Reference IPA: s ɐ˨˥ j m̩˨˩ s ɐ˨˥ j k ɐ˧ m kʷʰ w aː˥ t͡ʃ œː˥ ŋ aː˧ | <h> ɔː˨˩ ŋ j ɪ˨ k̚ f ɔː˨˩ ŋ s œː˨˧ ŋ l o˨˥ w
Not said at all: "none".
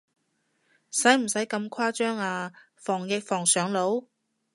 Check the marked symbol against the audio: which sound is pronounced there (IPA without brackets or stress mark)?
f